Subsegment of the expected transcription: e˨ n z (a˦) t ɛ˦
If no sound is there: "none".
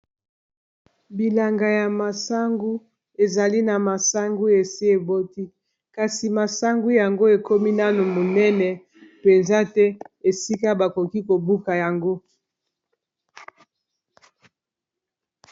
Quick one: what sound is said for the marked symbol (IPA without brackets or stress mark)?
a˦